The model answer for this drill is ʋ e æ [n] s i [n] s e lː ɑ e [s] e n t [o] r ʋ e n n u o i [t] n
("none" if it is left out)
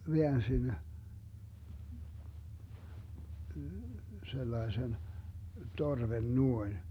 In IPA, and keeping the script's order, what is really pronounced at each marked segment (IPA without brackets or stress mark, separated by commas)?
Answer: n, n, s, o, none